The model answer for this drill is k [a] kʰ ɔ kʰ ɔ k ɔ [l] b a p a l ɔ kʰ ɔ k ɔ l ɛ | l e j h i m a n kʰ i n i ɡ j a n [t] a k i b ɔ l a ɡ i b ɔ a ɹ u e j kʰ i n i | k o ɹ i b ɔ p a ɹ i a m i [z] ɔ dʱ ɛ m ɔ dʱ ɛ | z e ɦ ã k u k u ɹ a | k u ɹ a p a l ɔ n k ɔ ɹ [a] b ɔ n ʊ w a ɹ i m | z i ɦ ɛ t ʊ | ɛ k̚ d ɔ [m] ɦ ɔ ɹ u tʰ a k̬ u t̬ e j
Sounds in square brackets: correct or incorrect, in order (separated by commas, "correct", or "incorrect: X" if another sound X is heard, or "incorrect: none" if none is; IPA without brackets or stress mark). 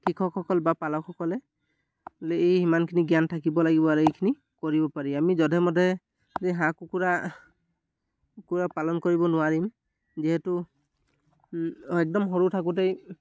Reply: incorrect: i, correct, incorrect: tʰ, correct, incorrect: i, correct